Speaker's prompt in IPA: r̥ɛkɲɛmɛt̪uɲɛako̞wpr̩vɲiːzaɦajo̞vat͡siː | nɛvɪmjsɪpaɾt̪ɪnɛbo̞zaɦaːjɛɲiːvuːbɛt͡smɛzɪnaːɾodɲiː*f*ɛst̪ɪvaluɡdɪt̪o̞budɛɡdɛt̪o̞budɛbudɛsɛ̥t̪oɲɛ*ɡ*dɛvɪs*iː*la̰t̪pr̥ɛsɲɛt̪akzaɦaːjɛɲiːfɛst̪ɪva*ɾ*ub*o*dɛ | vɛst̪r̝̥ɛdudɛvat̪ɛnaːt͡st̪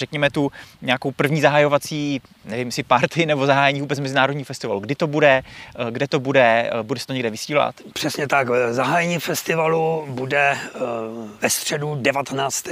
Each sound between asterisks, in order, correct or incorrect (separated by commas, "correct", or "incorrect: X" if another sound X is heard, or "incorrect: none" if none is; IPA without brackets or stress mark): correct, correct, correct, incorrect: l, incorrect: u